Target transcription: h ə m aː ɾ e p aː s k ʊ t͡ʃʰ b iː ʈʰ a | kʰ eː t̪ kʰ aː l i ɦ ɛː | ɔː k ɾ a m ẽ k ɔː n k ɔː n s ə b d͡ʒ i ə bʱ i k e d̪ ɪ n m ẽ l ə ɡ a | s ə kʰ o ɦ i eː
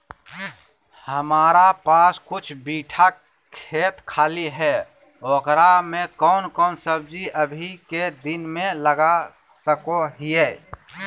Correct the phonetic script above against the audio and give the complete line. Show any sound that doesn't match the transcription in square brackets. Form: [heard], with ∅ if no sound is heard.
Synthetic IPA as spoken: h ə m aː ɾ [a] p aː s k ʊ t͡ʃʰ b iː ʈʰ a | kʰ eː t̪ kʰ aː l i ɦ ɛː | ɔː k ɾ a m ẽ k ɔː n k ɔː n s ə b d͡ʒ i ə bʱ i k e d̪ ɪ n m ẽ l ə ɡ a | s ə [k] o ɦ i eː